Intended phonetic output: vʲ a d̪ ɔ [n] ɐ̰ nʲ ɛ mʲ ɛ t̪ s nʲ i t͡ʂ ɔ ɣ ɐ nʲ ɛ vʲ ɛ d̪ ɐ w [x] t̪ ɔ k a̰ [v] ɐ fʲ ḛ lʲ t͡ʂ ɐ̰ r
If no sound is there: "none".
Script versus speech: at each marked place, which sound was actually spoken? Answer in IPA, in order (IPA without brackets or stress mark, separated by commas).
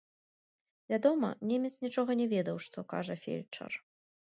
m, ʂ, ʐ